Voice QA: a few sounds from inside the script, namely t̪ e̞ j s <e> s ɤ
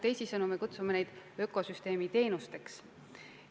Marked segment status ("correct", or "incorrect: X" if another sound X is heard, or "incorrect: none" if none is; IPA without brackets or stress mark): incorrect: i